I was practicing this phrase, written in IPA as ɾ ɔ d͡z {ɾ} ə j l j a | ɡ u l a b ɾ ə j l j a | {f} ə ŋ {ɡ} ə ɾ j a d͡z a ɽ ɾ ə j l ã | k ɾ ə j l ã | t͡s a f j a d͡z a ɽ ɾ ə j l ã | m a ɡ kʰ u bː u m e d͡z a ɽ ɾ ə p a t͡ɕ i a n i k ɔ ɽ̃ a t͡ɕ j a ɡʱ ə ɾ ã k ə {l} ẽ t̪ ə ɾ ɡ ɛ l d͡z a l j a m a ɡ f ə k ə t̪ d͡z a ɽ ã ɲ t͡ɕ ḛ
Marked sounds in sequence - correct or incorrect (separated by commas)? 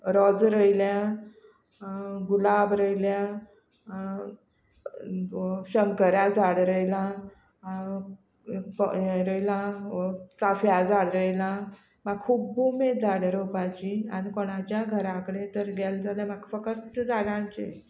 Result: correct, incorrect, incorrect, incorrect